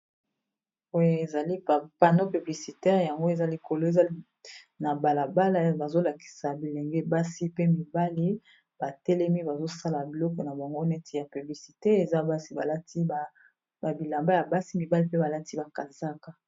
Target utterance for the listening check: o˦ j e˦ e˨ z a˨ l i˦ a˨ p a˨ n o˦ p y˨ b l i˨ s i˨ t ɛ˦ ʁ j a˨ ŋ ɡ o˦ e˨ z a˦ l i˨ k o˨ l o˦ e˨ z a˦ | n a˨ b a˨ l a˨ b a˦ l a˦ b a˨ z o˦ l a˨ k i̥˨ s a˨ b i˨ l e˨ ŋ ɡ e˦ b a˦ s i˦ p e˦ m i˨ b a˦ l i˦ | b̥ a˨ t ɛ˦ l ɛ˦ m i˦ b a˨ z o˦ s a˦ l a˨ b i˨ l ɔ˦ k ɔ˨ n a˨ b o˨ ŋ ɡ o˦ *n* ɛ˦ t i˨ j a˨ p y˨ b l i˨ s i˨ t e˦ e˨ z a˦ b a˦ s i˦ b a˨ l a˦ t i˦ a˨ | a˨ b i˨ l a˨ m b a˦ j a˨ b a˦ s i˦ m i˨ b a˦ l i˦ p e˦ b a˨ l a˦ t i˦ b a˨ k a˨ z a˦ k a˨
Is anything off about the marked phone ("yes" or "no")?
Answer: no